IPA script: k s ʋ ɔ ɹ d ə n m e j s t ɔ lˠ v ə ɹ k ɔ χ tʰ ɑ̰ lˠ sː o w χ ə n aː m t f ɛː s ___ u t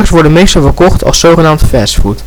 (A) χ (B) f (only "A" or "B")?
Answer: B